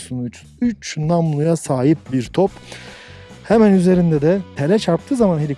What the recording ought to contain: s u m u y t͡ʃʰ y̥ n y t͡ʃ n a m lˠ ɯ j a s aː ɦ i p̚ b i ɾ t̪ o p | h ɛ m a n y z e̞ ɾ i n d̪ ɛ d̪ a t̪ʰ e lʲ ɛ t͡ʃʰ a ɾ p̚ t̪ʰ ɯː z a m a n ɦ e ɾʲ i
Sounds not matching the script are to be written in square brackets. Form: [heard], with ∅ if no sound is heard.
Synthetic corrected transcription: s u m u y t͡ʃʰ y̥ n y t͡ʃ n a m lˠ [u] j a s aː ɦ i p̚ b i ɾ [t̪ʰ] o p | h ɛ m [æ] n y z e̞ ɾ i n d̪ ɛ d̪ [ɛ] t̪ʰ e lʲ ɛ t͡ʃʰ a ɾ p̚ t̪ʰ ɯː z a m a n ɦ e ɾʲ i